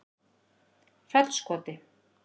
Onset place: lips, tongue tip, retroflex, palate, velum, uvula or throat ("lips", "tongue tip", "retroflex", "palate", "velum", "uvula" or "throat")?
lips